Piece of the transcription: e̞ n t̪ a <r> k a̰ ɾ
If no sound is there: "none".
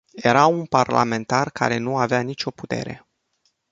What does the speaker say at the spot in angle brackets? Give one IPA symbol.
r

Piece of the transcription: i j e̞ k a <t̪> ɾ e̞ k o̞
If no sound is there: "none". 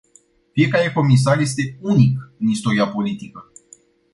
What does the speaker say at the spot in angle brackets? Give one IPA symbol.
none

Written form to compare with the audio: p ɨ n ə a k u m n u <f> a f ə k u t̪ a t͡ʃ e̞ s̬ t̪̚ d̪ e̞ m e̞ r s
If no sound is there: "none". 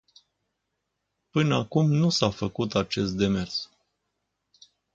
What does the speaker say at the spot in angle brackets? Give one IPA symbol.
s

